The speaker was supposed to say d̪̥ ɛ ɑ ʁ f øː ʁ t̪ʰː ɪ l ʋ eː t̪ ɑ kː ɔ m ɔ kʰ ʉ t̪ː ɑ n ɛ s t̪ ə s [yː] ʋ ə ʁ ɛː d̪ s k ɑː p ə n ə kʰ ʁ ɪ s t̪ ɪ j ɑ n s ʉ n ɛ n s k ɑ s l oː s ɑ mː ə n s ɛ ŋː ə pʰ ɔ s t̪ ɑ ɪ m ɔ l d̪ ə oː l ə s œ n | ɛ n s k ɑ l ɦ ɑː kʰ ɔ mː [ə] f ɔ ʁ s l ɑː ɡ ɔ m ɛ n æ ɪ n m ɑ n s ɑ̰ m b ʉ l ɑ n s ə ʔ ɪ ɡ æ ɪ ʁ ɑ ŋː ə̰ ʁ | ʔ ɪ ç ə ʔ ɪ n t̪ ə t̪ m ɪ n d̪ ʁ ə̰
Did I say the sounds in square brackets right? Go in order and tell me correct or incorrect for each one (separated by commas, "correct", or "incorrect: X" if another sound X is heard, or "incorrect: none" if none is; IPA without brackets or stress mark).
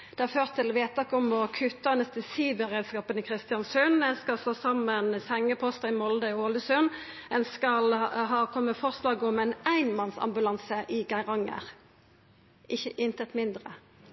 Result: incorrect: iː, correct